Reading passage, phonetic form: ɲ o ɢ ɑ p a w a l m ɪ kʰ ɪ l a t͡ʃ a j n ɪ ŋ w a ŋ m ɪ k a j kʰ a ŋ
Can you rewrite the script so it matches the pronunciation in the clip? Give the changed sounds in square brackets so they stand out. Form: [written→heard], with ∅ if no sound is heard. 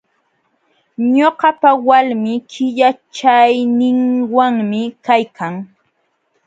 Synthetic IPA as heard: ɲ o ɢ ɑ p a w a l m ɪ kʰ ɪ [l→ʎ] a t͡ʃ a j n ɪ ŋ w a ŋ m ɪ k a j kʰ a ŋ